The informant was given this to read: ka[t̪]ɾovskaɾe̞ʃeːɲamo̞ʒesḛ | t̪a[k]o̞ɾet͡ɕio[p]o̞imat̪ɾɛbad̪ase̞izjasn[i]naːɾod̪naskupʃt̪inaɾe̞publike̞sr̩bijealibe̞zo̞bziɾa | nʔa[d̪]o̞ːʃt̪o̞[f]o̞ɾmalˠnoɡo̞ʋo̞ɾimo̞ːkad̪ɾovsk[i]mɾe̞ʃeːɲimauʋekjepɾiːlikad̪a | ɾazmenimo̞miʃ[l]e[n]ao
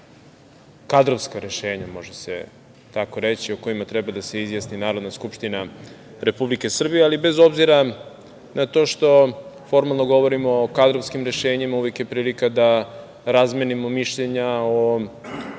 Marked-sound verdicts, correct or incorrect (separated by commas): incorrect, correct, incorrect, correct, incorrect, correct, correct, incorrect, incorrect